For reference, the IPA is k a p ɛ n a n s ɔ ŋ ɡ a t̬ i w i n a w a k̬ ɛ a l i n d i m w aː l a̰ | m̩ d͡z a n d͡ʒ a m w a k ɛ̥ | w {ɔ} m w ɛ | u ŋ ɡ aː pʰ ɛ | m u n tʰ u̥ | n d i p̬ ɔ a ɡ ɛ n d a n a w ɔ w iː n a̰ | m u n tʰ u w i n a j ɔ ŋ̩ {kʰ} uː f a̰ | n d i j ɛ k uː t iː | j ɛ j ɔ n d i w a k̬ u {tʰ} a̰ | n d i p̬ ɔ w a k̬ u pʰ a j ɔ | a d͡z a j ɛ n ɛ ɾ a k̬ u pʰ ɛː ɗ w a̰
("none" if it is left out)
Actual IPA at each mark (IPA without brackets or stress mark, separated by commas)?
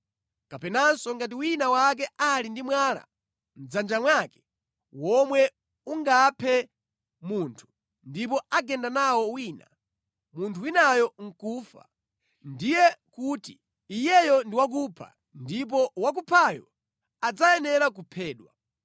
ɔ, k, pʰ